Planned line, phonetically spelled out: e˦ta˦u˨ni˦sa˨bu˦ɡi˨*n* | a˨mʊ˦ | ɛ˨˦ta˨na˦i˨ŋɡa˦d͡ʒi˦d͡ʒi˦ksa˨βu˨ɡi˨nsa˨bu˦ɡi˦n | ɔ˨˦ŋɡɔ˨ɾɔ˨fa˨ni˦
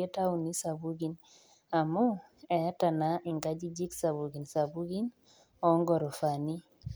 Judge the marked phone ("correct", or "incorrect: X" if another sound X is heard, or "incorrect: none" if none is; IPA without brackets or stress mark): correct